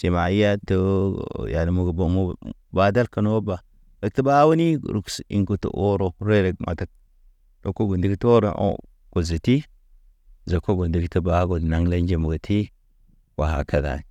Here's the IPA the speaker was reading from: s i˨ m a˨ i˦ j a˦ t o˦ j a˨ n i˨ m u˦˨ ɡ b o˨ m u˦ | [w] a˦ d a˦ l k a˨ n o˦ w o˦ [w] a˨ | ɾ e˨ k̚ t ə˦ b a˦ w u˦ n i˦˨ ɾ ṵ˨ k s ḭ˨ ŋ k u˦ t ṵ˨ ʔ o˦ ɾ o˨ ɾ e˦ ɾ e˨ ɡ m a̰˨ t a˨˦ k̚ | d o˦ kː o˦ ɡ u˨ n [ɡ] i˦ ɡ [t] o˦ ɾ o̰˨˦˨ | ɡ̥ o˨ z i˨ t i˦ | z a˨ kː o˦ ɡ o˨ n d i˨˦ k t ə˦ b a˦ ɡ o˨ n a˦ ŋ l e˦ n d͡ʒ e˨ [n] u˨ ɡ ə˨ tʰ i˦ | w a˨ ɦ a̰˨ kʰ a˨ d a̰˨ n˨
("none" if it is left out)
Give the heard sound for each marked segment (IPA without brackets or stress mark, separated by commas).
b, b, d, t, m